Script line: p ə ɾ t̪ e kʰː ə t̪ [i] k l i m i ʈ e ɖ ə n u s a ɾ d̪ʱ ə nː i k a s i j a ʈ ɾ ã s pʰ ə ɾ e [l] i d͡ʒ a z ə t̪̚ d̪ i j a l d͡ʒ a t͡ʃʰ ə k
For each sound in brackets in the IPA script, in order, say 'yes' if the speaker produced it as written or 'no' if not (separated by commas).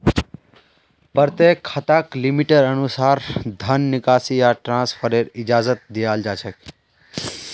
no, no